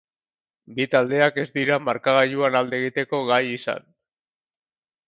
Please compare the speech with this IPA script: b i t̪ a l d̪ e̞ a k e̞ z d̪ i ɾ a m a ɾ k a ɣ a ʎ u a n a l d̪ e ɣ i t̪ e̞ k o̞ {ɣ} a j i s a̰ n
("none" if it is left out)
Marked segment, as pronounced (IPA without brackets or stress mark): ɣ